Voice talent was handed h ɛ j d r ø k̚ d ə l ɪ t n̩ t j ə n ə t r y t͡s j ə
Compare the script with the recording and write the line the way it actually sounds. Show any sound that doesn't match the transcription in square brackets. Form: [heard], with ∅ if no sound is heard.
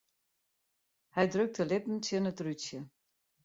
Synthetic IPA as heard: h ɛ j d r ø k̚ [t] ə l ɪ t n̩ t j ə n ə t r y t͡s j ə